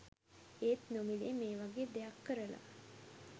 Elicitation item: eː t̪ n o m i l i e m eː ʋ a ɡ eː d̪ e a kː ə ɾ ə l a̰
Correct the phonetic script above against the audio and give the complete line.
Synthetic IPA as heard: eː t̪ n o m i l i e m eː ʋ a ɡ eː d̪ e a kː ə ɾ ə l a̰

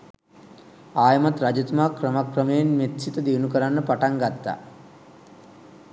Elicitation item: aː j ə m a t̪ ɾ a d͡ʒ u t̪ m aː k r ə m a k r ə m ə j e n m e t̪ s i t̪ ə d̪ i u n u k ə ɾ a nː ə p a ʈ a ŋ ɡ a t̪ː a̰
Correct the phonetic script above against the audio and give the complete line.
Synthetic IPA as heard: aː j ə m a t̪ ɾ a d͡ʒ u t̪ m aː k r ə m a k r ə m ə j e n m e t̪ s i t̪ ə d̪ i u n u k ə ɾ a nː ə p a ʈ a ŋ ɡ a t̪ː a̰

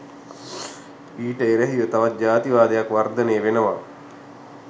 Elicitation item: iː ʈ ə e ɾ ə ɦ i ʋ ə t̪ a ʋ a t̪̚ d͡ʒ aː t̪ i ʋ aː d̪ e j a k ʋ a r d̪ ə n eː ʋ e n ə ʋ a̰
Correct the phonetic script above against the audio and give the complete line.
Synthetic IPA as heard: iː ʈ ə e ɾ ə ɦ i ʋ ə t̪ a ʋ a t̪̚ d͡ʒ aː t̪ i ʋ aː d̪ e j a k ʋ a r d̪ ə n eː ʋ e n ə ʋ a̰

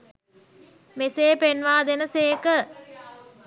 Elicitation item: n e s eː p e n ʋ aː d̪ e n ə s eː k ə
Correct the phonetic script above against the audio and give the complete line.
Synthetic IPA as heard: m e s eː p e n ʋ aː d̪ e n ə s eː k ə

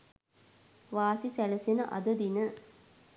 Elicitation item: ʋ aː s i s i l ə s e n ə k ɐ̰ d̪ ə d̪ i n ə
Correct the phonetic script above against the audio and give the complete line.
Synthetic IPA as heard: ʋ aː s i s æ l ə s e n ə ʔ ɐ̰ d̪ ə d̪ i n ə

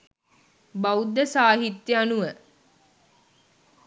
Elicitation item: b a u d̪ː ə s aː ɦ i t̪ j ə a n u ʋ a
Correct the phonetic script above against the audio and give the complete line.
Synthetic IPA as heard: b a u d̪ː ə s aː ɦ i t̪ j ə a n u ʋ ə

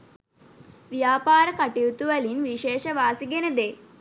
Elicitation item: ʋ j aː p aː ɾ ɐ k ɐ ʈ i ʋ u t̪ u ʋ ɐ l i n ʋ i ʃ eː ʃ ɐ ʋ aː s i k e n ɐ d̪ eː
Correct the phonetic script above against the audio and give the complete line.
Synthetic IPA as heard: ʋ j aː p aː ɾ ɐ k ɐ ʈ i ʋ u t̪ u ʋ ɐ l i n ʋ i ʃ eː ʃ ɐ ʋ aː s i ɡ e n ɐ d̪ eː

